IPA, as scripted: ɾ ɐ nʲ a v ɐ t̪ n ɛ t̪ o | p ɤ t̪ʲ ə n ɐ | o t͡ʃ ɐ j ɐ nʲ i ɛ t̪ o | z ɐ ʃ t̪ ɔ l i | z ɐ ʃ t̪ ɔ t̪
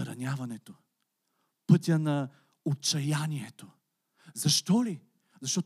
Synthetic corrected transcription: ɾ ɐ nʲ a v ɐ n ɛ t̪ o | p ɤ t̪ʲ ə n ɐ | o t͡ʃ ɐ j a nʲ i ɛ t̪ o | z ɐ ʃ t̪ ɔ l i | z ɐ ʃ t̪ ɔ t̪